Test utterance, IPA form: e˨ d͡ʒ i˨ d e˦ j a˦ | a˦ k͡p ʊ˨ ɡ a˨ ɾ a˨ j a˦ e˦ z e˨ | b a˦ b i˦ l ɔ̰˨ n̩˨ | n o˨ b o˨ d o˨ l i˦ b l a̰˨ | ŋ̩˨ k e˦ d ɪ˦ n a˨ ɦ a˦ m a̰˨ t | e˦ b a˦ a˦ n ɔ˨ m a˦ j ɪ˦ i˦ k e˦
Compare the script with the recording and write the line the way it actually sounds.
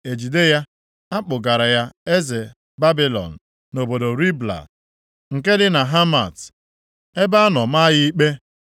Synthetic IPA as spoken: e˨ d͡ʒ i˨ d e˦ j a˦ | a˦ k͡p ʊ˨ ɡ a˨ ɾ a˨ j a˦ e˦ z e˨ | b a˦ b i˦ l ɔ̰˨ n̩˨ | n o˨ b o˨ d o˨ ɾ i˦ b l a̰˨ | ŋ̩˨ k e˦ d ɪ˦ n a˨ ɦ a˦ m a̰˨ t | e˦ b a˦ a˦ n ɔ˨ m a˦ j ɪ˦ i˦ k͡p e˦

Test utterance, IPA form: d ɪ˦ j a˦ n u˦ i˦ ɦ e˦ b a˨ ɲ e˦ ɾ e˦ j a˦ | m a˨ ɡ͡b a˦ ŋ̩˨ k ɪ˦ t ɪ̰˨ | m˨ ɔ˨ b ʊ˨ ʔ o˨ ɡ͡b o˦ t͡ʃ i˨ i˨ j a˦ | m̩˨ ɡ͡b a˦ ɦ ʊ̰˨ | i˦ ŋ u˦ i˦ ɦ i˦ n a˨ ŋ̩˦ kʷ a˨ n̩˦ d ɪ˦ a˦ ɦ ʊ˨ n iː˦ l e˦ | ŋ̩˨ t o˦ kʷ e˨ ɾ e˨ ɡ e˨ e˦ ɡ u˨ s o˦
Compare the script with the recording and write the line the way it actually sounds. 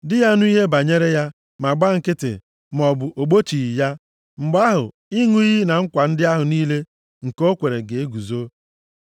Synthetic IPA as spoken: d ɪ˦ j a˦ n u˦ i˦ ɦ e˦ b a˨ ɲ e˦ ɾ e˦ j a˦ | m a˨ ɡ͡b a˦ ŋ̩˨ k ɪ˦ t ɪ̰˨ | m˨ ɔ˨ b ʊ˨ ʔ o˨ ɡ͡b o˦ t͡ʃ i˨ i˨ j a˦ | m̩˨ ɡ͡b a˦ ɦ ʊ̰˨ | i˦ ŋ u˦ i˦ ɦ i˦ n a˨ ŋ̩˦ kʷ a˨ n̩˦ d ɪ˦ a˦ ɦ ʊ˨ n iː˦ l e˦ | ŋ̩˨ k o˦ kʷ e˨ ɾ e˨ ɡ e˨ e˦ ɡ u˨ z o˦

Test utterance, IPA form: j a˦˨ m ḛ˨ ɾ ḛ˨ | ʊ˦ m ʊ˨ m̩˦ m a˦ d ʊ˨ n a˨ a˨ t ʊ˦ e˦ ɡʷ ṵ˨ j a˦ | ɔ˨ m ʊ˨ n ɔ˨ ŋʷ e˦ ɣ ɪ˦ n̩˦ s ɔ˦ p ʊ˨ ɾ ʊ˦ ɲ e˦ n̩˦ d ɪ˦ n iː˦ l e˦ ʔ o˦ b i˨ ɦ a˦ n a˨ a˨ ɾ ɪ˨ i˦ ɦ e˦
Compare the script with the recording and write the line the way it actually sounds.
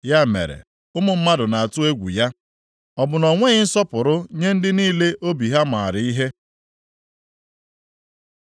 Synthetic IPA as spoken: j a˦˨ m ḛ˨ ɾ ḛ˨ | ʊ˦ m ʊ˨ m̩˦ m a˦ d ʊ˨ n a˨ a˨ t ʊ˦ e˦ ɡʷ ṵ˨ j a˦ | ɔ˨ b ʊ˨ n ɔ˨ ŋʷ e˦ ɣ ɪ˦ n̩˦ s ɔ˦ p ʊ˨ ɾ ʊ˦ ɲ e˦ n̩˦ d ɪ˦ n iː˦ l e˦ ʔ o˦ b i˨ ɦ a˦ m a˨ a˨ ɾ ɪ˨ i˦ ɦ e˦

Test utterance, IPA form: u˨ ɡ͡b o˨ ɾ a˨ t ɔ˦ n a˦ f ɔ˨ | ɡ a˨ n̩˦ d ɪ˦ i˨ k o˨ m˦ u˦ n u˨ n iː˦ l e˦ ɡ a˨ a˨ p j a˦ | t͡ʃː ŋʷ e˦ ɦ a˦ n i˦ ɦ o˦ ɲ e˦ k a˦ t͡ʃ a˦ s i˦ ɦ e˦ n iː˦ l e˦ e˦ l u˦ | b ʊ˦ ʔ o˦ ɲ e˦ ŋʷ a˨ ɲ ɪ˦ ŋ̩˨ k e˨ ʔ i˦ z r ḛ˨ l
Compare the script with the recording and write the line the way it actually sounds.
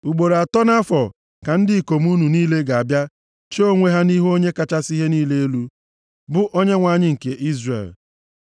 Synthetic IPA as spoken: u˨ ɡ͡b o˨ ɾ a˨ t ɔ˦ n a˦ f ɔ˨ | k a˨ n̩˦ d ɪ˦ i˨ k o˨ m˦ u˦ n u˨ n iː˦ l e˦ ɡ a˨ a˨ b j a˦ | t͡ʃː ŋʷ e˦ ɦ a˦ n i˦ ɦ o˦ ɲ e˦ k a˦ t͡ʃ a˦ s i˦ ɦ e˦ n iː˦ l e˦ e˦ l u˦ | b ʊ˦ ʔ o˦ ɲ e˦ ŋʷ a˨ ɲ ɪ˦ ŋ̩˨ k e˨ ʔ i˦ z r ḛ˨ l

